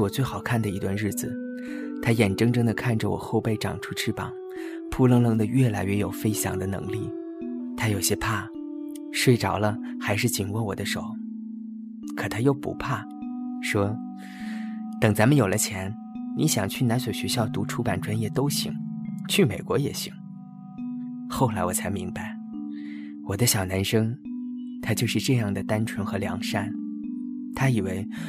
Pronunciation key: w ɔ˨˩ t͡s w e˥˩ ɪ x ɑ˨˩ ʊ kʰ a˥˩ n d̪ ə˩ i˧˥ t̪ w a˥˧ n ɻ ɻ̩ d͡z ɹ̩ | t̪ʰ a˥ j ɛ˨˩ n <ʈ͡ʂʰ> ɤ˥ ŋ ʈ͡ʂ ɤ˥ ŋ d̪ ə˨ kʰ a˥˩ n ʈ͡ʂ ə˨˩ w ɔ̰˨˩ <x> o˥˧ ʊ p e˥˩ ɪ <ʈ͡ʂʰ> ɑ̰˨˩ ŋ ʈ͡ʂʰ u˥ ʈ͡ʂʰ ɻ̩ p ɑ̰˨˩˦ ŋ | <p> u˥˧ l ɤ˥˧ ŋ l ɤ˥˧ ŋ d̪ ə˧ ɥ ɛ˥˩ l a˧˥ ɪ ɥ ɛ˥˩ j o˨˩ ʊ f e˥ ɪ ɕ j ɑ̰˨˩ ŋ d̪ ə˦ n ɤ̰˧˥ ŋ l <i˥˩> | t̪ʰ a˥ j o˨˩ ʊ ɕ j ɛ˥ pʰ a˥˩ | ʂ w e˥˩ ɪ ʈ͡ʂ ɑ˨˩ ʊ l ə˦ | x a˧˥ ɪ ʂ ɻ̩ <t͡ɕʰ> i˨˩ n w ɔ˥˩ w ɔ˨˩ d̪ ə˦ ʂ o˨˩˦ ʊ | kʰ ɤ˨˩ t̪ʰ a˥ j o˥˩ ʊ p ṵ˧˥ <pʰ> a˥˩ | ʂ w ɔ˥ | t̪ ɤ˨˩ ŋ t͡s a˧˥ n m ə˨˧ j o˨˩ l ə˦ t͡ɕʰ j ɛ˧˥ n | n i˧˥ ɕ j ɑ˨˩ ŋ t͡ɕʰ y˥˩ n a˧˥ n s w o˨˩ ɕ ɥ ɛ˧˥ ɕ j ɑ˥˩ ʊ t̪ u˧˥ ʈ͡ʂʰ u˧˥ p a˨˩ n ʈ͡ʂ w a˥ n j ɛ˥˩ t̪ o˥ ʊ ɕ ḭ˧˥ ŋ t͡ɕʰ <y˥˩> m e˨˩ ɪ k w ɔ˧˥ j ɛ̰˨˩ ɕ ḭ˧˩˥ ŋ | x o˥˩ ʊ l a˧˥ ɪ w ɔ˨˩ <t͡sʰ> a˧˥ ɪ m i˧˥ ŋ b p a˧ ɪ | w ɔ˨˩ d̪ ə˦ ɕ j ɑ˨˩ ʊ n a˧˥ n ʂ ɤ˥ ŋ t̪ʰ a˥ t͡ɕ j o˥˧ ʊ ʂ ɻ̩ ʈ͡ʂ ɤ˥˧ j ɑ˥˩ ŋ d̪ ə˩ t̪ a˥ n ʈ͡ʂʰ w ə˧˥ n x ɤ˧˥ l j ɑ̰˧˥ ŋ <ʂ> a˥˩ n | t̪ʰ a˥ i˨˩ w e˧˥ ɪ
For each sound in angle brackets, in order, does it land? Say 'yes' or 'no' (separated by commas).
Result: no, yes, no, no, yes, no, yes, yes, yes, yes